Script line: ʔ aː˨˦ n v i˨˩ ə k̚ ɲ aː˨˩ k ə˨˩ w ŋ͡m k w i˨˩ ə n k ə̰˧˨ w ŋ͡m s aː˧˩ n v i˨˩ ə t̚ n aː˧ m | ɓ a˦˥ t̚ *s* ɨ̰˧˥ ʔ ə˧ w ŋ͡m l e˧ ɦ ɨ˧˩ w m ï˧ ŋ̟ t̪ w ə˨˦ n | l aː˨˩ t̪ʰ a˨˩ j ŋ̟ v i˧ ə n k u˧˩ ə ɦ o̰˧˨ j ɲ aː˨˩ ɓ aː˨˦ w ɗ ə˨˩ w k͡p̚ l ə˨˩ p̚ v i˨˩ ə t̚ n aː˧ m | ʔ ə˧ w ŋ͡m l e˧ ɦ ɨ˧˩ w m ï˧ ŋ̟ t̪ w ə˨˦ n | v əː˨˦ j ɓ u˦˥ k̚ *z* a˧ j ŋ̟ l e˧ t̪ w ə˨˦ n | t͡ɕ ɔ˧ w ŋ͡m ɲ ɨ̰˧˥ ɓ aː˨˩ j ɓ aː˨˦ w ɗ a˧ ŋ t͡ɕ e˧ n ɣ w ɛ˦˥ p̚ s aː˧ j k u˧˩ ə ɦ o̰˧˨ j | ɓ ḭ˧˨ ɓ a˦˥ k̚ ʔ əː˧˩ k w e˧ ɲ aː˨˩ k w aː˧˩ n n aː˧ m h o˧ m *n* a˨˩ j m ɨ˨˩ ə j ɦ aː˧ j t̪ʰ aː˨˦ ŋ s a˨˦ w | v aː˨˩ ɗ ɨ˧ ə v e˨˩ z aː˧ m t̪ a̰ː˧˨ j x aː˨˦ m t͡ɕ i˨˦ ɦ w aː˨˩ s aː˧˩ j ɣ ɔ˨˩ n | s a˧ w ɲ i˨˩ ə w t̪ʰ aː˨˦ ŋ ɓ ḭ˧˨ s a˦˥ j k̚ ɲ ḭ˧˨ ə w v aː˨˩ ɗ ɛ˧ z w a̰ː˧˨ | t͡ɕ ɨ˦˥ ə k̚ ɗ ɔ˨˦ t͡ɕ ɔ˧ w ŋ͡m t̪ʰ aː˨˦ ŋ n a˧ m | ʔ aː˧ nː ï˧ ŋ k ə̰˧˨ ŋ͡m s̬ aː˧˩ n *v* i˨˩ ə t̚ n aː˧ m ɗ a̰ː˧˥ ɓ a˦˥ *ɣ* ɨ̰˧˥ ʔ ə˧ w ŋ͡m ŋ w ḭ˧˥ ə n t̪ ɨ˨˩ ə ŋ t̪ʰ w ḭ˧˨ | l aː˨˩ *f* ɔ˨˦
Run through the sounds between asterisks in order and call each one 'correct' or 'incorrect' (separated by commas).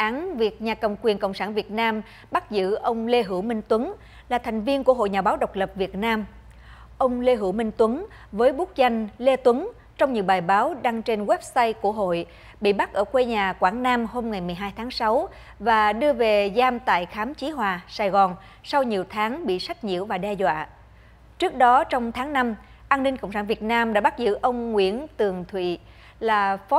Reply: incorrect, correct, incorrect, correct, incorrect, correct